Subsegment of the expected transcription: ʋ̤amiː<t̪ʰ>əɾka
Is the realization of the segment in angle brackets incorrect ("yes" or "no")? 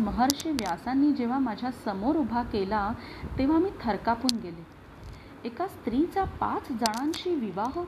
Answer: no